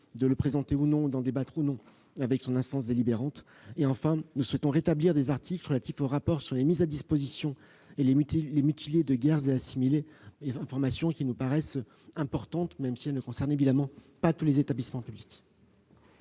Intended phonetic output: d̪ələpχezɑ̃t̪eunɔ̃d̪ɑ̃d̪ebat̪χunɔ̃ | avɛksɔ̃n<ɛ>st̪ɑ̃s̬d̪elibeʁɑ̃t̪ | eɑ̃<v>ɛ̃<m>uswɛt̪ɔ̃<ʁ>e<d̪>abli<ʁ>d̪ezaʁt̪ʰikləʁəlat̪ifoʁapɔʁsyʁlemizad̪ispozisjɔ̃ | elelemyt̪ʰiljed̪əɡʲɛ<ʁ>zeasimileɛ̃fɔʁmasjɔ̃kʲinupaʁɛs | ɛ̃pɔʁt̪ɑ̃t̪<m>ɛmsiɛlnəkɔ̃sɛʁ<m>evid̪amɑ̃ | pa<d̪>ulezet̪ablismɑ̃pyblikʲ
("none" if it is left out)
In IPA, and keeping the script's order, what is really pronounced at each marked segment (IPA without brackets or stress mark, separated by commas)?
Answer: ɛ̃, f, n, ʁ, t̪, ʁ, ʁ, m, n, t̪